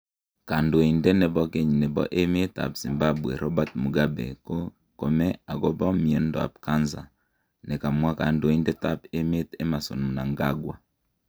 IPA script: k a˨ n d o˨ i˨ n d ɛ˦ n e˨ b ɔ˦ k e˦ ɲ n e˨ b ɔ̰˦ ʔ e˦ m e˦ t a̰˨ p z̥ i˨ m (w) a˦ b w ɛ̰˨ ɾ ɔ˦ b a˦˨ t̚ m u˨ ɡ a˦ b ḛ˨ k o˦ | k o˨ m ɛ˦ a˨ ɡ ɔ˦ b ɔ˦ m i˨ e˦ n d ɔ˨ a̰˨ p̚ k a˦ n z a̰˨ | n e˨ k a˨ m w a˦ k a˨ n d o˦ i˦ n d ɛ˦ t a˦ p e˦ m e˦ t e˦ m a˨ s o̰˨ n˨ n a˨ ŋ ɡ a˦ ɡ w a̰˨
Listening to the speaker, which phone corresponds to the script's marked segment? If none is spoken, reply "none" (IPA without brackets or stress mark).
b